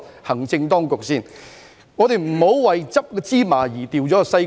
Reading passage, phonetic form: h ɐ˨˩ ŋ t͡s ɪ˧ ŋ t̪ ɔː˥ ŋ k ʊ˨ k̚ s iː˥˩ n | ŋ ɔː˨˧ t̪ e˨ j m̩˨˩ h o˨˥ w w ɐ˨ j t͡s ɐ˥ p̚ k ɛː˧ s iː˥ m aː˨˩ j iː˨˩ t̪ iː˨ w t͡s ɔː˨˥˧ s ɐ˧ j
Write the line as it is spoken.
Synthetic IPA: h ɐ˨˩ ŋ t͡s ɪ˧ ŋ t̪ ɔː˥ ŋ k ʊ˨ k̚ s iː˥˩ n | ŋ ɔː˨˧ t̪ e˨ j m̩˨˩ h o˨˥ w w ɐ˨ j t͡s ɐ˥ p̚ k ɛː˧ t͡s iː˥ m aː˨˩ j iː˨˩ t̪ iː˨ w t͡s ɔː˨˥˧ s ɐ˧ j